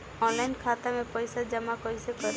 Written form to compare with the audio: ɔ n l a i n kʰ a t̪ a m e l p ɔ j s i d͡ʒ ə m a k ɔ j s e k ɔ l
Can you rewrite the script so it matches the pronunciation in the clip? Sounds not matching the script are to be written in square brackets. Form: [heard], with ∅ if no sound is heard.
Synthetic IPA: ɔ n l a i n kʰ a t̪ a m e [∅] p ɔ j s [a] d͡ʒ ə m a k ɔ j s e k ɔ [ɾ]